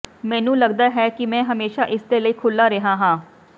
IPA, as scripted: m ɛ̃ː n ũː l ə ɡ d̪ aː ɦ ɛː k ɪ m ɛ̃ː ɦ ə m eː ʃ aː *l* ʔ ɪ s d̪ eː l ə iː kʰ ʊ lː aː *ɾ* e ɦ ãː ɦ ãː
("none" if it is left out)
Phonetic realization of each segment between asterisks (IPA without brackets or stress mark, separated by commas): none, ɾ